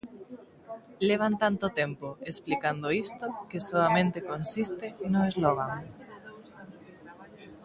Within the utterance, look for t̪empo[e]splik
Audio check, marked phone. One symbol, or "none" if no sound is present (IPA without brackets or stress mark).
e